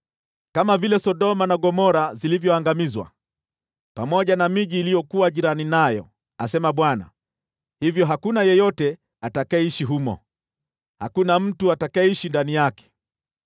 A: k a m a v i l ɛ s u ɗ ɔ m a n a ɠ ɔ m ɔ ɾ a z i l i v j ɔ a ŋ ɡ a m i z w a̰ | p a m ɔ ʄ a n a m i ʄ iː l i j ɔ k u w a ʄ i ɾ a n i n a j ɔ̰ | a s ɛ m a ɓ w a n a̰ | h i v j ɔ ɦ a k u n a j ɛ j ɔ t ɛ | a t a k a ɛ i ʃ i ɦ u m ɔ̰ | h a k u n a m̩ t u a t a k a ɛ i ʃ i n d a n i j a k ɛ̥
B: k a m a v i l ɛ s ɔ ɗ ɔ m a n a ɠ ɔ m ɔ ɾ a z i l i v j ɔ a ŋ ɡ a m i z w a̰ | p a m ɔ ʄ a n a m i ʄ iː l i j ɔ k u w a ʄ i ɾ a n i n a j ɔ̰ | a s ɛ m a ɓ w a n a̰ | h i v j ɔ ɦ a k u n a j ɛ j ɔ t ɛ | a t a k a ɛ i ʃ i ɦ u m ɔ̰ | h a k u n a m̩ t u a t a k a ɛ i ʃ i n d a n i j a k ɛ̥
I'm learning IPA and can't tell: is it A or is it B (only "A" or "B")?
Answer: B